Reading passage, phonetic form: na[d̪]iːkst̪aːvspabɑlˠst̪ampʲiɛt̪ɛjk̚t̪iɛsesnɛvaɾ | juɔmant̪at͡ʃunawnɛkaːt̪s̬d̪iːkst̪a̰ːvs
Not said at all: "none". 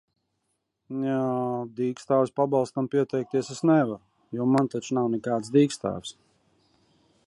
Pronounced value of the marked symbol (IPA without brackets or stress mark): d̪